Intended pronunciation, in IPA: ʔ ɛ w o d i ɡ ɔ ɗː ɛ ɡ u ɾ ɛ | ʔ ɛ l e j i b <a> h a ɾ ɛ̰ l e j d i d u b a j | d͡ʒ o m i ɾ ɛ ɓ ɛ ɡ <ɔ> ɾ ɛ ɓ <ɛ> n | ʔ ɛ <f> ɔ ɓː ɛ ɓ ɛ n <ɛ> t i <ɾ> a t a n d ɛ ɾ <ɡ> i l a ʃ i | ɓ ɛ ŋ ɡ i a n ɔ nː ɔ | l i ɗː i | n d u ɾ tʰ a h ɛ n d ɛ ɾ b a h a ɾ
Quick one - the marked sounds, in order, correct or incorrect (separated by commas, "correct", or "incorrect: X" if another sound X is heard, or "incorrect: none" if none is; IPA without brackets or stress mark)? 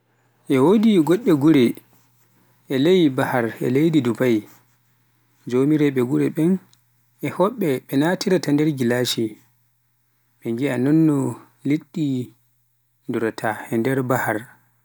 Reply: correct, incorrect: u, correct, incorrect: h, incorrect: a, correct, correct